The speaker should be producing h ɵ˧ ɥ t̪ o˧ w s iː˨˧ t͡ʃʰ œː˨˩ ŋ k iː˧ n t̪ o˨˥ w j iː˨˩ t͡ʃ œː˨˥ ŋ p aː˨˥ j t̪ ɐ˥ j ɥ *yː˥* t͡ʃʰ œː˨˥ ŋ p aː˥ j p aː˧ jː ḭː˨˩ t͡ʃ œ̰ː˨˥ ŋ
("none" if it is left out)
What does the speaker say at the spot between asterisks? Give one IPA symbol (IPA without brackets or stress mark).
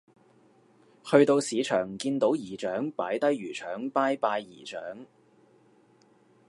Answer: yː˨˩